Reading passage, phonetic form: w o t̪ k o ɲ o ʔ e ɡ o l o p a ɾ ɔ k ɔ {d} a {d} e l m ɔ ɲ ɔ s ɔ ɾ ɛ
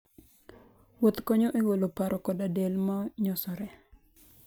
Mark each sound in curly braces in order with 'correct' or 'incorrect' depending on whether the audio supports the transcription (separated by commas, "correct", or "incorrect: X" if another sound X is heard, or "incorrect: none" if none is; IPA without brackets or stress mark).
correct, correct